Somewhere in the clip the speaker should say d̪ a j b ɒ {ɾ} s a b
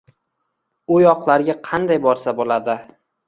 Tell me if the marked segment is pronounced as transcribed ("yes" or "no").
yes